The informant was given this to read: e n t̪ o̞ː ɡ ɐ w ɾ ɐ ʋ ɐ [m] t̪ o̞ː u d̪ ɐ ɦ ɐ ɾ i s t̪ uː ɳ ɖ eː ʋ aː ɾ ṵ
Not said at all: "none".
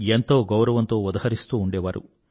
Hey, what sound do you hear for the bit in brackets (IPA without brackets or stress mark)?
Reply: n